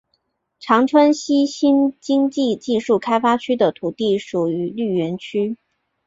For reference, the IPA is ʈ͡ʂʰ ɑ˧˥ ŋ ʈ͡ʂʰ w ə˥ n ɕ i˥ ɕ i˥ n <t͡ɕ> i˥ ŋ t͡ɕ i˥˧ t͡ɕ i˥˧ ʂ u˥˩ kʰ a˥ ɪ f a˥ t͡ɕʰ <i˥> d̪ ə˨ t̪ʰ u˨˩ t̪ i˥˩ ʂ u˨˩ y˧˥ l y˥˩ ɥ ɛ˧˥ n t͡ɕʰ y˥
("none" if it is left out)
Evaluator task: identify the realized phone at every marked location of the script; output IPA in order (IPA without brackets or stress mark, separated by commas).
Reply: t͡ɕ, y˥